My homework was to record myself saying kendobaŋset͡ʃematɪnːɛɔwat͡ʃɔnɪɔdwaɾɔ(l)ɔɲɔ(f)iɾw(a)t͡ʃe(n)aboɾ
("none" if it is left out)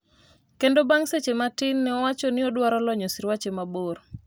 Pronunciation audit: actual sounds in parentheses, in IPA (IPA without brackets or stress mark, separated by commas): l, s, a, m